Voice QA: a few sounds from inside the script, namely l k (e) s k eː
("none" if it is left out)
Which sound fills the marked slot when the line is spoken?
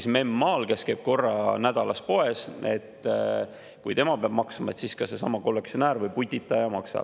e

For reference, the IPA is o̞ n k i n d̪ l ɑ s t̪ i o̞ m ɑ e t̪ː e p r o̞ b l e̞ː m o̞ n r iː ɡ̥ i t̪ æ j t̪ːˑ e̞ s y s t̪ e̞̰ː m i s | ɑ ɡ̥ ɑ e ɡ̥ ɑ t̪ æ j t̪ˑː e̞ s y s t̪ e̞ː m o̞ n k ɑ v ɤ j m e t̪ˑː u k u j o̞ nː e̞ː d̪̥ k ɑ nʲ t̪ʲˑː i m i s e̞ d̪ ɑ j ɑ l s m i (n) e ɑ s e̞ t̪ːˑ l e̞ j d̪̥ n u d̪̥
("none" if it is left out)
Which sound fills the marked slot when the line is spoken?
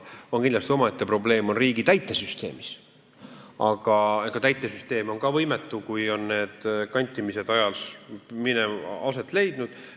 n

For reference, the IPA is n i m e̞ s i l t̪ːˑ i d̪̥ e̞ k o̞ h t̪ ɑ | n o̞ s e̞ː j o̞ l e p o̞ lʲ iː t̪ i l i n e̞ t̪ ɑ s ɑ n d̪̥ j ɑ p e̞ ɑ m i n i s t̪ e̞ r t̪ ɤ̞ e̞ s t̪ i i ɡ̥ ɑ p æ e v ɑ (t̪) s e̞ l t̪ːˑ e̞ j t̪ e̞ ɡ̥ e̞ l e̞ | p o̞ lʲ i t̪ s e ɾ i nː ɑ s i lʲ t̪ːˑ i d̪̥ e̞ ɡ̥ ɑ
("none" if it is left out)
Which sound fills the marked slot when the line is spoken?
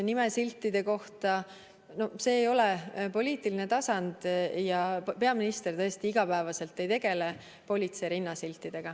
none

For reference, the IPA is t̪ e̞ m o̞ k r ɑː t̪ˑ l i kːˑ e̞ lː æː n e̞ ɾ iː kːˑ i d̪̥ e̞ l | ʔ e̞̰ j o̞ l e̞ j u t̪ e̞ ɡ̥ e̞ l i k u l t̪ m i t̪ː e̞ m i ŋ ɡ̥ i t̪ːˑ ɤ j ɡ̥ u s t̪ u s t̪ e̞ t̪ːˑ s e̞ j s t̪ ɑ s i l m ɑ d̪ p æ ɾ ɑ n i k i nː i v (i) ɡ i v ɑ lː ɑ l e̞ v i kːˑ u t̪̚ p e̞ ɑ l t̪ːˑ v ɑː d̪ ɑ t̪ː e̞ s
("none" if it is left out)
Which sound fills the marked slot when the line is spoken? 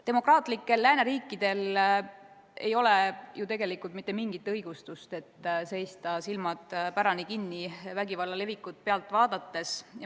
æ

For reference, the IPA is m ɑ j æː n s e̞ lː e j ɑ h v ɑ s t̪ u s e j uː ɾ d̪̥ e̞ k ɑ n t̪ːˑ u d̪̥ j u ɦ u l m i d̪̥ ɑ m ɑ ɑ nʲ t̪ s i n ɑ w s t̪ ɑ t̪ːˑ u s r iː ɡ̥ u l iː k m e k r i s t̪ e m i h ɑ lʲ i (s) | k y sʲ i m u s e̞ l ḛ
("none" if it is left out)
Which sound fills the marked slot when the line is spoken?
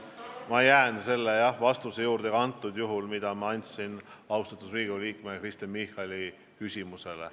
none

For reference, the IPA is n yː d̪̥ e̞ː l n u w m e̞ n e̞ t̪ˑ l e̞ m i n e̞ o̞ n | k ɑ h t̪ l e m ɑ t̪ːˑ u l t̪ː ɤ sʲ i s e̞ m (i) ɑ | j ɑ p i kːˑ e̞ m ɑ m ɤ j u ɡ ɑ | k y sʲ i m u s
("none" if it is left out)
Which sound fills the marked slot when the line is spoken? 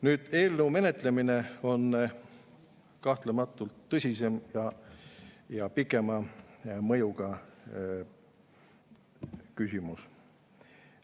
j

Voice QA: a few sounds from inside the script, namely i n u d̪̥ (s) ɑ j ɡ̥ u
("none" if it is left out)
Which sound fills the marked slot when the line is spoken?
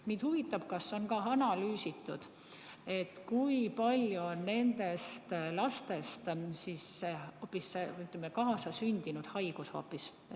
h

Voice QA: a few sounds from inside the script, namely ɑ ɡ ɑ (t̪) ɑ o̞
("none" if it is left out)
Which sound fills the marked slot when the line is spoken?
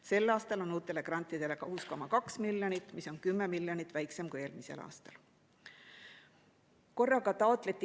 t̪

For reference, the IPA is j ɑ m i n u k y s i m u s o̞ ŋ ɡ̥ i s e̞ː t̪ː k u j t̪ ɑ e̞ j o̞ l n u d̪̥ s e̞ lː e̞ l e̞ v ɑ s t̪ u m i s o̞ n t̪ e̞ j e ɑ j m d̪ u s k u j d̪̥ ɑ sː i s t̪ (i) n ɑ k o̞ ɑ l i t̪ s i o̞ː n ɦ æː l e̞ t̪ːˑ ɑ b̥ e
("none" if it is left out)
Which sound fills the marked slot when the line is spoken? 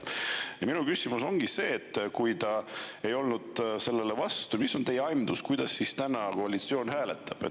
æ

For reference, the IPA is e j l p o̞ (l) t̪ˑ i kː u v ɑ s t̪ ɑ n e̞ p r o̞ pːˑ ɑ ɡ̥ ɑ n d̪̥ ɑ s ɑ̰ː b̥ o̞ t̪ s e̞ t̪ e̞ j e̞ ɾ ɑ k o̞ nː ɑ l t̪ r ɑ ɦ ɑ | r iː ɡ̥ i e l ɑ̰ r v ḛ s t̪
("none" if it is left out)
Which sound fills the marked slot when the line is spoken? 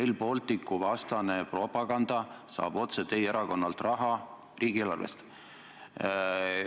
l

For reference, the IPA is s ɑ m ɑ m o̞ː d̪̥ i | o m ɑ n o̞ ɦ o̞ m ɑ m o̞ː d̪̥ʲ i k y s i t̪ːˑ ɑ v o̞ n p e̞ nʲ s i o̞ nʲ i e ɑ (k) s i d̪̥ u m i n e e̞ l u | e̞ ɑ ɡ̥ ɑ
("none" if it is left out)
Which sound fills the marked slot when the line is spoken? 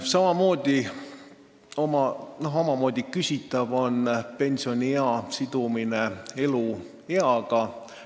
none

